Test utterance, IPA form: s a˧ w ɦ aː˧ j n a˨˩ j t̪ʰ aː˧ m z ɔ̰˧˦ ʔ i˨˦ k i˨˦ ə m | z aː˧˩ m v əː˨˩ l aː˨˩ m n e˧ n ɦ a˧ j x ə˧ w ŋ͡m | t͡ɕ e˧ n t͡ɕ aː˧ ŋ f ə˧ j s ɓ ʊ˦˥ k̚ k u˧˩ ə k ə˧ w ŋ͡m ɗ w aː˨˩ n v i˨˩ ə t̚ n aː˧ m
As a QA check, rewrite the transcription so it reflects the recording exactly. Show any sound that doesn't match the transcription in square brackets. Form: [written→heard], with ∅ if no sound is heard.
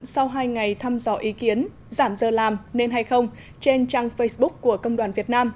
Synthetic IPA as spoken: s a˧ w ɦ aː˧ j [n→ŋ] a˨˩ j t̪ʰ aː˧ m z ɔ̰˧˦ ʔ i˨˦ k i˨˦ ə [m→n] | z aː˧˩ m [v→z] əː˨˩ l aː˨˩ m n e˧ n ɦ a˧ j x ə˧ w ŋ͡m | t͡ɕ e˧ n t͡ɕ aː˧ ŋ f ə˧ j s ɓ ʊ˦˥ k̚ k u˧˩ ə k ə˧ w ŋ͡m ɗ w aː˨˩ n v i˨˩ ə t̚ n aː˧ m